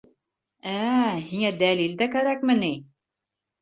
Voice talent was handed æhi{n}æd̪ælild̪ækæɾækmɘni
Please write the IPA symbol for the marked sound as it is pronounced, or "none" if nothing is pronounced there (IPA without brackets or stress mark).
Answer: ŋ